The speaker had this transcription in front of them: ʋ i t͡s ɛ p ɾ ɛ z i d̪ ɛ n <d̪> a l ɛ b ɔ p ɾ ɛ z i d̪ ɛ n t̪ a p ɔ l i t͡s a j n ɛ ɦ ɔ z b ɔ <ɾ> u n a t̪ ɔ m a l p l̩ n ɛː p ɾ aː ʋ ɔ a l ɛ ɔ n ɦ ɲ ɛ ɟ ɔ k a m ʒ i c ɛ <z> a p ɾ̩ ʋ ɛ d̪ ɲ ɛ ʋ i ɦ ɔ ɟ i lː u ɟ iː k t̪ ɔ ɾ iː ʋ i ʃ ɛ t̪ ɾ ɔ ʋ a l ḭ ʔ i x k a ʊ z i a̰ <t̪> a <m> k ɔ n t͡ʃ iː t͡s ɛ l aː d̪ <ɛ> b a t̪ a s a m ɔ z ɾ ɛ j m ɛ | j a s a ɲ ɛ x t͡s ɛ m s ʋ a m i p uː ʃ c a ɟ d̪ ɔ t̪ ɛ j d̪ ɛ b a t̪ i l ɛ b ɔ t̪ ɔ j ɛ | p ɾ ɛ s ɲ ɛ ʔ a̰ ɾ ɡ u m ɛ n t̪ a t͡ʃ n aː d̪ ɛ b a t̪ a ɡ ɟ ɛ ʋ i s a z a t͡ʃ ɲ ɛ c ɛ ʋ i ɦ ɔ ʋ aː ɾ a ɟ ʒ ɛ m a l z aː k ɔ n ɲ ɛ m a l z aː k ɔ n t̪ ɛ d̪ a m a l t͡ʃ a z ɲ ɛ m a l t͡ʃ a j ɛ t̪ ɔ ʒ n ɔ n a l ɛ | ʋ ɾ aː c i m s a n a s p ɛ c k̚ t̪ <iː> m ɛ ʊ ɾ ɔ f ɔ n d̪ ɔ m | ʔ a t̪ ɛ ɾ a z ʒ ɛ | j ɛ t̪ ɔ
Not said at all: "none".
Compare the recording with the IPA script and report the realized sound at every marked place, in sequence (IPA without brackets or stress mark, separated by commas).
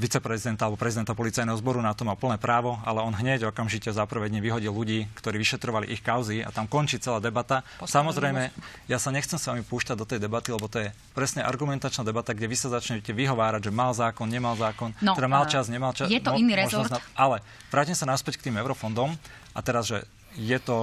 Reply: t̪, ɾ, z, t̪, m, ɛ, iː